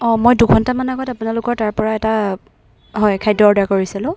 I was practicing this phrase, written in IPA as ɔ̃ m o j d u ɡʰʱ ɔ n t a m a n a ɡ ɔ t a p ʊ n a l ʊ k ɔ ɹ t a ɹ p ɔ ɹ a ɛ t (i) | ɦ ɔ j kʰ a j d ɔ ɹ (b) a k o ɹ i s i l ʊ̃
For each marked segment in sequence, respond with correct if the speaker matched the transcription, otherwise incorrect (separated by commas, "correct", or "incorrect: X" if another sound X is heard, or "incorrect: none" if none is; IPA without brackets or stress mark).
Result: incorrect: a, incorrect: d